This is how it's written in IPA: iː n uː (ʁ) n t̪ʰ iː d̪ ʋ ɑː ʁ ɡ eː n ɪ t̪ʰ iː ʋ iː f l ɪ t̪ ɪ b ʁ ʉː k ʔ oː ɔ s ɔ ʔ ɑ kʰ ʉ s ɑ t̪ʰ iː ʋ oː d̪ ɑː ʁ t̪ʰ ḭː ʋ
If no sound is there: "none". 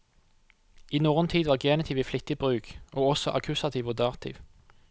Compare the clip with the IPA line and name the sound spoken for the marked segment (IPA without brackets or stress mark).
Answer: ʁ